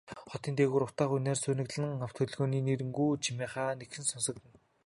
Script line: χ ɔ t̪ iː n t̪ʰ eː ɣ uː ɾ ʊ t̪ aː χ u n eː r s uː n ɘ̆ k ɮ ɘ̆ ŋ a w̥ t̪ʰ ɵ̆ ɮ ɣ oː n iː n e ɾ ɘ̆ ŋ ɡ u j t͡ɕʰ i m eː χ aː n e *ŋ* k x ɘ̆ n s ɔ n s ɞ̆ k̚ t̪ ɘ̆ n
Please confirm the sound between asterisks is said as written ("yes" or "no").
no